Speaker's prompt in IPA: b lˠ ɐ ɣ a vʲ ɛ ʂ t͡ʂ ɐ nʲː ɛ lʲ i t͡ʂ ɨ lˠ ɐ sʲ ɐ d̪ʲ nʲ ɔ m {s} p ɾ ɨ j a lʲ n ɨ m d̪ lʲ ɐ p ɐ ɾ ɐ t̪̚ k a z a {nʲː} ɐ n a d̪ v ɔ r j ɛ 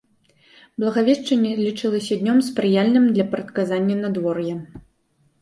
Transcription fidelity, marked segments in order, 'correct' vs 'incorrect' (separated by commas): correct, correct